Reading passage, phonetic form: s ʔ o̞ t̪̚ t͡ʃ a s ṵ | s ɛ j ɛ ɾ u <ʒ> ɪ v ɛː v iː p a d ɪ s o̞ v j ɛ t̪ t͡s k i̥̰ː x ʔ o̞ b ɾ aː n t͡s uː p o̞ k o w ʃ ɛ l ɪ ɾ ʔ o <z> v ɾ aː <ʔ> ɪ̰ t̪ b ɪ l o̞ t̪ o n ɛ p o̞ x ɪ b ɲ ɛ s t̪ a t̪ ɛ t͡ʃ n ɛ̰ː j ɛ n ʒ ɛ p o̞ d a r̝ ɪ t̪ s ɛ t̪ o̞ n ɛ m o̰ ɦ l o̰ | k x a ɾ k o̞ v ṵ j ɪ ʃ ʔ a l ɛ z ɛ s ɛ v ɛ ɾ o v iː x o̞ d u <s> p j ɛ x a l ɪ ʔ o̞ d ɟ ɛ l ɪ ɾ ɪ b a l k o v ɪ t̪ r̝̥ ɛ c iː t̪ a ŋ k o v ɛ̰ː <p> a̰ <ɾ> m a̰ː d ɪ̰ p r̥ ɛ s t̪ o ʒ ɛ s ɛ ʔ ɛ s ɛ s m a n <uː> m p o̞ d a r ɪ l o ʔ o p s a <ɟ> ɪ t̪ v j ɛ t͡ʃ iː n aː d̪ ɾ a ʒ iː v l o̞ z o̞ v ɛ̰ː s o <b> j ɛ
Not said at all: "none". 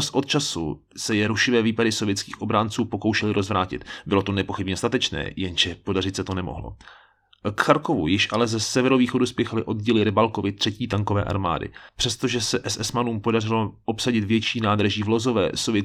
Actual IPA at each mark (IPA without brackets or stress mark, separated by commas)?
ʃ, z, c, s, ʔ, ɾ, uː, ɟ, v